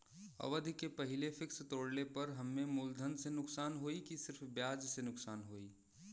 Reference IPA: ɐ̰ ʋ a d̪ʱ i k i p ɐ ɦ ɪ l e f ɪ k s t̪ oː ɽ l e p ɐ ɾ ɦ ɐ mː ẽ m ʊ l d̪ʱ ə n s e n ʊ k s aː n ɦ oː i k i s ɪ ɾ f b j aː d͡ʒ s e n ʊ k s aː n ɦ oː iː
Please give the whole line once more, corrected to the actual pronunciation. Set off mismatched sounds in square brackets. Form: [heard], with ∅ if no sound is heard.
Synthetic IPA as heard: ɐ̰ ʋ [ə] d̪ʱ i k [e] p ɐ ɦ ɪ l e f ɪ k s t̪ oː ɽ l e p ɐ ɾ ɦ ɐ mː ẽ m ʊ l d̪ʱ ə n s e n ʊ k s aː n ɦ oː i k i s ɪ ɾ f b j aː d͡ʒ s e n ʊ k s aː n ɦ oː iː